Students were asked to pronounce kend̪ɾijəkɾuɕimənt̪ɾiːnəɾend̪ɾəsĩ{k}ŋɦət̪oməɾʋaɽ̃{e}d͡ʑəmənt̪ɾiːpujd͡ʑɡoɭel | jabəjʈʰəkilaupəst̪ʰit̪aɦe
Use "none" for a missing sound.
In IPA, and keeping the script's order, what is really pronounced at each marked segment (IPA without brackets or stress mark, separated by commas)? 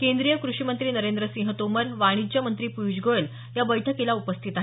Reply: none, i